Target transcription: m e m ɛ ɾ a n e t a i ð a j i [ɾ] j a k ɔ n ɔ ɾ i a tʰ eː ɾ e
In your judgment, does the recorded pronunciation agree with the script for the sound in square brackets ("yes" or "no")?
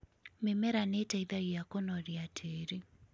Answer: no